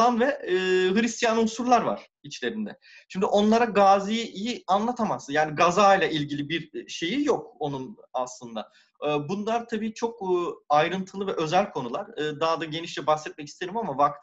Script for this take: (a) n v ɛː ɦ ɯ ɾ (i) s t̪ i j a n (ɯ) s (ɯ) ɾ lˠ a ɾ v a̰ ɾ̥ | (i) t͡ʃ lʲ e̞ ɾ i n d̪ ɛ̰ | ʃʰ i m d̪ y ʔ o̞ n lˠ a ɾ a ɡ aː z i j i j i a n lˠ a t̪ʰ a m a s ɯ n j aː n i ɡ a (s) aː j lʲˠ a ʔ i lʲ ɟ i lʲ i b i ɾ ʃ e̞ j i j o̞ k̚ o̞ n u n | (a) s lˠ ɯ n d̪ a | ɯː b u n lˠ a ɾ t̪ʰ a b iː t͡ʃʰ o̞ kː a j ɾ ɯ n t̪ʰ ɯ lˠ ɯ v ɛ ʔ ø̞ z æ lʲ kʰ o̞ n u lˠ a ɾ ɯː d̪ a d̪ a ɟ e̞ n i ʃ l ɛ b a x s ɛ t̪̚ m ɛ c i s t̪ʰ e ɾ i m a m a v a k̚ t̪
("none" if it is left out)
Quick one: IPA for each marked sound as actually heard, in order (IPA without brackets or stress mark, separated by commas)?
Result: a, i, u, u, i, z, a